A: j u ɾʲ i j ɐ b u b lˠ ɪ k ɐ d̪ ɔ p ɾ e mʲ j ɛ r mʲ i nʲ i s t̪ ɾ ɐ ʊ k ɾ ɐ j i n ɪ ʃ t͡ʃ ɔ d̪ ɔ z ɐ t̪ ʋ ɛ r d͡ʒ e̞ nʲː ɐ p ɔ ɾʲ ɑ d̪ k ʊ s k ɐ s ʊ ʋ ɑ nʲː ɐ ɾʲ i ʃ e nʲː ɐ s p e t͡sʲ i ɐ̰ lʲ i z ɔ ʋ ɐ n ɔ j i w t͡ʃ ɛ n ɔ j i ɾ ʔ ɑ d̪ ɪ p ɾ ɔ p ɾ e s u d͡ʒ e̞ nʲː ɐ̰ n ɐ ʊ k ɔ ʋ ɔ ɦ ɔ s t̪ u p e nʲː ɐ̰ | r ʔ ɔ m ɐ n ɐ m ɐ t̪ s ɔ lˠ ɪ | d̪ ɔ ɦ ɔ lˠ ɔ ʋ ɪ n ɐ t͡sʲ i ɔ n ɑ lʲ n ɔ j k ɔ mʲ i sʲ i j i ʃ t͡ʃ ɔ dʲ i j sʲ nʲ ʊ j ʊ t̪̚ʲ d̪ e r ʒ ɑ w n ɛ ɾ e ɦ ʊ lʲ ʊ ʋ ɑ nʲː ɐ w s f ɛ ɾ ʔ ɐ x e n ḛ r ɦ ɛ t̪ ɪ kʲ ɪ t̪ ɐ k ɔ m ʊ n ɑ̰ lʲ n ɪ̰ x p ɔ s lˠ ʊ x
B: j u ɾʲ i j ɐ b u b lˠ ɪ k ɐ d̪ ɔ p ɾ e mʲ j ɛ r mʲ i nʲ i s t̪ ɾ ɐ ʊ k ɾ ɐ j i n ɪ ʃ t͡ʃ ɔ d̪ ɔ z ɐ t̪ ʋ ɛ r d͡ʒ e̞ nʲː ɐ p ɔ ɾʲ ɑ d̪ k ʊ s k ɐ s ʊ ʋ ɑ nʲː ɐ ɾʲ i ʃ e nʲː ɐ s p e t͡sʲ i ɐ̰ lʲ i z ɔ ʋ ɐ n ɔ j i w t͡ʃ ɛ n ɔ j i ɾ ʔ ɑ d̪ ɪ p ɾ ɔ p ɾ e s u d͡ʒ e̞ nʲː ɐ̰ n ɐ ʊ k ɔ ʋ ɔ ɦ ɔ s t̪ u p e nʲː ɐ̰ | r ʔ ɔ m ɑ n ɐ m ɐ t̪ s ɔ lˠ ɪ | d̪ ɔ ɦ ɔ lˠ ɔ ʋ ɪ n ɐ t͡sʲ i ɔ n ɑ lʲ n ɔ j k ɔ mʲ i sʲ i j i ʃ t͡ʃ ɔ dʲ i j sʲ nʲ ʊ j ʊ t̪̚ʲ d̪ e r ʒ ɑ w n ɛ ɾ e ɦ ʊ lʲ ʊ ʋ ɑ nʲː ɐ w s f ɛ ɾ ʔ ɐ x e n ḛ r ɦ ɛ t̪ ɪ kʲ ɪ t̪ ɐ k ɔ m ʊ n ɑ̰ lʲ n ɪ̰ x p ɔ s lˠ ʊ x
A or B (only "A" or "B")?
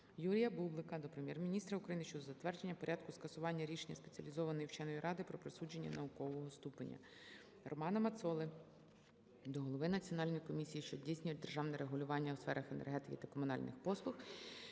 B